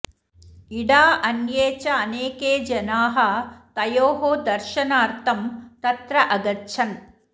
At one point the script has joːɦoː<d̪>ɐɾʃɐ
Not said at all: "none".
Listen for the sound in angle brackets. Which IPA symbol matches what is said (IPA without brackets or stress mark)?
d̪